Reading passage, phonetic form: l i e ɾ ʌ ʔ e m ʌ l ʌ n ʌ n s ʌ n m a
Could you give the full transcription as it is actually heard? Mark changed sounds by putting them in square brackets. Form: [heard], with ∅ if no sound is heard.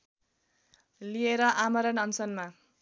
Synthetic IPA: l i e ɾ ʌ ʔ [a] m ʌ [ɾ] ʌ n ʌ n s ʌ n m a